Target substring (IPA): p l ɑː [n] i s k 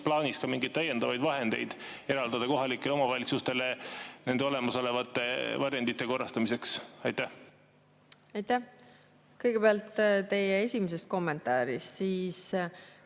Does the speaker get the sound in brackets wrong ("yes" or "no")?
no